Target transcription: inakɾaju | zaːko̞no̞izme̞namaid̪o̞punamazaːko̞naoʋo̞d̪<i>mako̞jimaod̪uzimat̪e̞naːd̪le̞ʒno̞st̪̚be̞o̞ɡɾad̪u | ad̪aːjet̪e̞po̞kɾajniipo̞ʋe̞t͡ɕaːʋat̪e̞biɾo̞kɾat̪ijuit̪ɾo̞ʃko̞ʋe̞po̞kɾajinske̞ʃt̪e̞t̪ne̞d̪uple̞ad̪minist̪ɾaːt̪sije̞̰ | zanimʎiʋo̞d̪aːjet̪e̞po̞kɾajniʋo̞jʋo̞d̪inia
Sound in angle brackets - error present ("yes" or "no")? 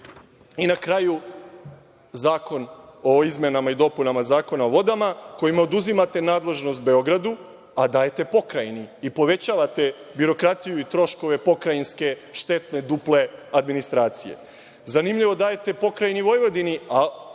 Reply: yes